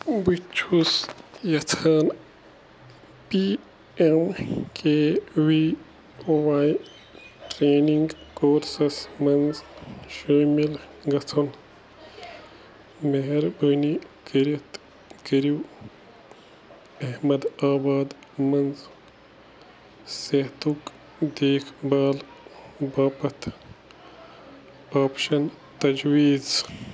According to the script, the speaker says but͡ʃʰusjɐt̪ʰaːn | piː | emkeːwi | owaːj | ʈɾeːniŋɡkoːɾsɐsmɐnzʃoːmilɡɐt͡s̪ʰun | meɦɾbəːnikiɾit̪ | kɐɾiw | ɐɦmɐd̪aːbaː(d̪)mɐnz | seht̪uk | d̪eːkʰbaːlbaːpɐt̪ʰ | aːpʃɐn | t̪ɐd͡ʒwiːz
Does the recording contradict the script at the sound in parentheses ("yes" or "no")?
no